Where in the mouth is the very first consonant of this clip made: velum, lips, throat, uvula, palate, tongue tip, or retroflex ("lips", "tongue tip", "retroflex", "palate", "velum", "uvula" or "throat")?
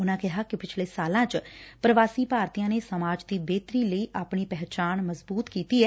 tongue tip